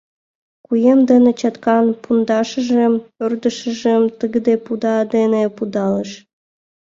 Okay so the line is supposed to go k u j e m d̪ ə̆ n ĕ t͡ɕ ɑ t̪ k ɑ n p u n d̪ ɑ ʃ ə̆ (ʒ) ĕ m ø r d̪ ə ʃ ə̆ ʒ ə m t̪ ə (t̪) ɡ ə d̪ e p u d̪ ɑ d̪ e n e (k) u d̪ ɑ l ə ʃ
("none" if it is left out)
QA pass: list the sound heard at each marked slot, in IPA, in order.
ʒ, none, p

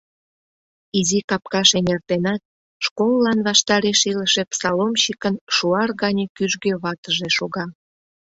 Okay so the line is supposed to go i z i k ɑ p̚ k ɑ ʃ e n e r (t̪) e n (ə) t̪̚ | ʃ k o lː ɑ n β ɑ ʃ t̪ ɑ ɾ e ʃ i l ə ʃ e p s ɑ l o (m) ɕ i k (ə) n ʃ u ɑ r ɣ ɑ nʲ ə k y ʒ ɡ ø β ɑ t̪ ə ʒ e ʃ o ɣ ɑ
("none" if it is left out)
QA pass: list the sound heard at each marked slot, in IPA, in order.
t̪, ɑ, m, ə

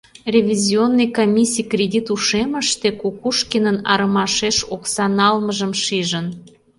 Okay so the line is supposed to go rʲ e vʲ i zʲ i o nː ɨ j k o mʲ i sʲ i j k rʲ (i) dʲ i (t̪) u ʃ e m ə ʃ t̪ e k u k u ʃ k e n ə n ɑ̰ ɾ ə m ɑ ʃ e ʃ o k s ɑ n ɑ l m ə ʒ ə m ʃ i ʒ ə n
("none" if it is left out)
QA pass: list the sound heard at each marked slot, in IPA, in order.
e, t̪

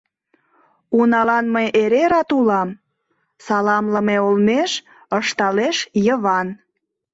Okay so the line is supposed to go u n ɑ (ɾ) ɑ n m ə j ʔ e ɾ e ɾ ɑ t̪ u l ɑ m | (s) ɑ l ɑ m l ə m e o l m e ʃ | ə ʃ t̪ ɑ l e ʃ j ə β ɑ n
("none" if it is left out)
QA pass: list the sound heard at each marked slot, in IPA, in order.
l, s

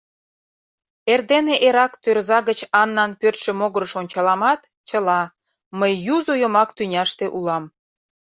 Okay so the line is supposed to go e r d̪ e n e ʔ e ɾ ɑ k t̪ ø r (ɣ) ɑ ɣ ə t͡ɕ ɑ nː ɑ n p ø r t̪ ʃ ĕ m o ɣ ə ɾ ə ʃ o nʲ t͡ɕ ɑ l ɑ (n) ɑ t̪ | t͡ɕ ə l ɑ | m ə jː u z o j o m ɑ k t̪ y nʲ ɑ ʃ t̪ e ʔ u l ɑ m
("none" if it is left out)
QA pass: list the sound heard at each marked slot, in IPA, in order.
z, m

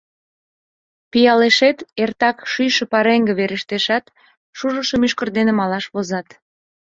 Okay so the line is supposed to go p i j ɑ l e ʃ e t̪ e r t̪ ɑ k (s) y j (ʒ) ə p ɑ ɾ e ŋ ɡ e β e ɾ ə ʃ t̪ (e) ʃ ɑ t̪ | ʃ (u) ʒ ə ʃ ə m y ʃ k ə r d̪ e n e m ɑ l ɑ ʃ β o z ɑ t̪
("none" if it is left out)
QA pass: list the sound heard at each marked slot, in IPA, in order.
ʃ, ʃ, e, u

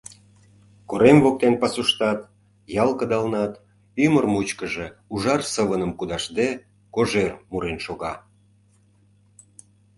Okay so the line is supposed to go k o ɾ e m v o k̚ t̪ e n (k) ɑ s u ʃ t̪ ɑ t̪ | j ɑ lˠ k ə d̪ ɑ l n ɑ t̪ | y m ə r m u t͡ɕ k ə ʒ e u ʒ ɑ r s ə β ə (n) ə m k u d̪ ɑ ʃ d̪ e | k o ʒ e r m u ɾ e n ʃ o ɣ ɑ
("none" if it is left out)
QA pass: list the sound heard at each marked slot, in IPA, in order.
p, n

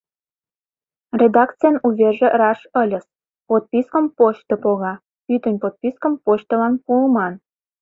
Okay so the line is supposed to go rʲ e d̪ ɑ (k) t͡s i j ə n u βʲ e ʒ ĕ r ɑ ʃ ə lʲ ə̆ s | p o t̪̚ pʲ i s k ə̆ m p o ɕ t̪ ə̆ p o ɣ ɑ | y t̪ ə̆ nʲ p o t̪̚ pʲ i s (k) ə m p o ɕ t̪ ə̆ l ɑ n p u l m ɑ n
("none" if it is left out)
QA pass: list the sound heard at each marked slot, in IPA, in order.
k, k

